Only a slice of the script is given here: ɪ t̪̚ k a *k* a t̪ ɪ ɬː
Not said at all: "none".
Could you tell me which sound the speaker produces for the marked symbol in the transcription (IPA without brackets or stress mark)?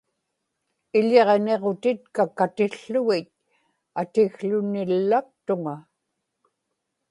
k